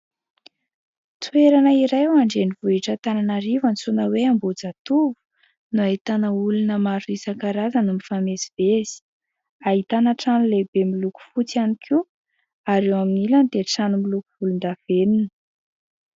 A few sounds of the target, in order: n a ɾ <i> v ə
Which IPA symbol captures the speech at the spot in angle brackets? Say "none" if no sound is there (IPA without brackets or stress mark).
i